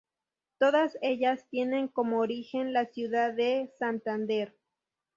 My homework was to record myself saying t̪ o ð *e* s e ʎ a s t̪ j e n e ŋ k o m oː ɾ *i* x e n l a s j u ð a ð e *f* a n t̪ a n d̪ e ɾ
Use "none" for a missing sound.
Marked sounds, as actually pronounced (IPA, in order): a, i, s

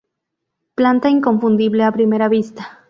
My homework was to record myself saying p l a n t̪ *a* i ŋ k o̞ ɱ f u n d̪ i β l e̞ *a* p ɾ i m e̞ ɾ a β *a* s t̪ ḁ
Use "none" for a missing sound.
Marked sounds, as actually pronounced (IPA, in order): a, a, i

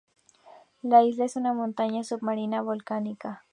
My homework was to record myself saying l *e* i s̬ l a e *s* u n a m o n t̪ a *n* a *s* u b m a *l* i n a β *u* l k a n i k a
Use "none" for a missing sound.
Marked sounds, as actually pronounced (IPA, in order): a, s, ɲ, s, ɾ, o

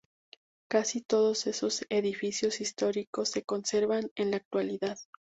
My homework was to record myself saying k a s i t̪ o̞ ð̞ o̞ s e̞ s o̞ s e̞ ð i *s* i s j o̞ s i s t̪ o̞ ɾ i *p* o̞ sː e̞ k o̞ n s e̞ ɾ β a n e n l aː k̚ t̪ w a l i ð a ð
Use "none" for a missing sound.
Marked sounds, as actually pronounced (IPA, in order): f, k

